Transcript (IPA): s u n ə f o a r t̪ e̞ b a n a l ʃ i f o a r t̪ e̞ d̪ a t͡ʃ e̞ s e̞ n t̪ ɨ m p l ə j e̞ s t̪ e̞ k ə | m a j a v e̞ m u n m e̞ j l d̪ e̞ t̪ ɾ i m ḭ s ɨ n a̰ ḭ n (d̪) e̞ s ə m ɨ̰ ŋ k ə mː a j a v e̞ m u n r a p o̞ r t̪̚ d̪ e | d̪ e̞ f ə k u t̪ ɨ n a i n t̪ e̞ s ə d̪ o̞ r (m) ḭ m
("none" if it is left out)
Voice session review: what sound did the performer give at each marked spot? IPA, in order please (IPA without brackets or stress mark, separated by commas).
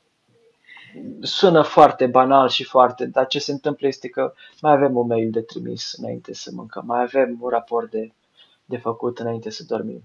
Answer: t̪, m